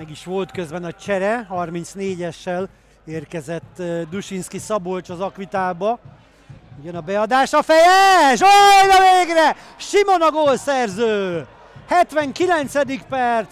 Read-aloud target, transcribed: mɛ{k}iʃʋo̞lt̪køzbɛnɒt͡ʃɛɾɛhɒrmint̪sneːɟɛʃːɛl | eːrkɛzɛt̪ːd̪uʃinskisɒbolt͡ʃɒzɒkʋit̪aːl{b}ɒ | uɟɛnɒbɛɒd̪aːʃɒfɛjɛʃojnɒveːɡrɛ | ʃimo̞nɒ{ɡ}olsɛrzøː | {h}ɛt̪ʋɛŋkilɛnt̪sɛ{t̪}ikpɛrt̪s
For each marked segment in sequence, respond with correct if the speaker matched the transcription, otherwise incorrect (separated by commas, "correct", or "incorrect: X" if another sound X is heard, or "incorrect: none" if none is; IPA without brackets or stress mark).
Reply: incorrect: ɡ, correct, correct, correct, incorrect: d̪